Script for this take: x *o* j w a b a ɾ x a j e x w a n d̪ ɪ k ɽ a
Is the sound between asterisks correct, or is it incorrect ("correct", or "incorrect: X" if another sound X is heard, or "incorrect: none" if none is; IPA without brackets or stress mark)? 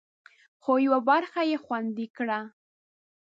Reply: correct